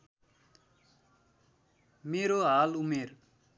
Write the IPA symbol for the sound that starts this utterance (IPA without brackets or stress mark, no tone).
m